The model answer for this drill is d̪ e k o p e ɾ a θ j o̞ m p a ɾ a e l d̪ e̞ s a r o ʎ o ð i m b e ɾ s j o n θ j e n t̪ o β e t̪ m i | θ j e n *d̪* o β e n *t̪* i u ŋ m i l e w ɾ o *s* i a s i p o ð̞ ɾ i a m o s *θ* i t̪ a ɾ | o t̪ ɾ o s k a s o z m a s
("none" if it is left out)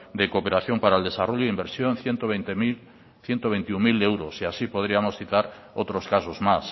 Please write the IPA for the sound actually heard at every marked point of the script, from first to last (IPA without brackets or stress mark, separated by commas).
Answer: t̪, t̪, s, θ